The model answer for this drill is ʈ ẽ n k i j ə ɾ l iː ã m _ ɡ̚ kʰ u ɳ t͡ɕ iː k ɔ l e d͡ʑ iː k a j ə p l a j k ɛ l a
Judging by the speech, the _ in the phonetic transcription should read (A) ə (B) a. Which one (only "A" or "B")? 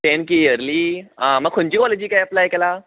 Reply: A